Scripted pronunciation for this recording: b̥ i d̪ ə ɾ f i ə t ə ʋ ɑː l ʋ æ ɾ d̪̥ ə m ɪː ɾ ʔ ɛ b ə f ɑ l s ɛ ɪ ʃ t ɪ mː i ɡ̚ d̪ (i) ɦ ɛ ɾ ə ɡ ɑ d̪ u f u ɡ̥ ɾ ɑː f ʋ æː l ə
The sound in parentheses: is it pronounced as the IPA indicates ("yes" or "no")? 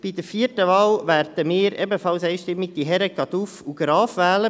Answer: yes